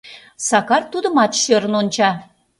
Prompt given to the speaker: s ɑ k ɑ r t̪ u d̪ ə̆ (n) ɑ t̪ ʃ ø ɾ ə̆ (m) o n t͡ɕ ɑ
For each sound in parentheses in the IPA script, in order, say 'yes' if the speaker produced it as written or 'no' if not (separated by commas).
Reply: no, no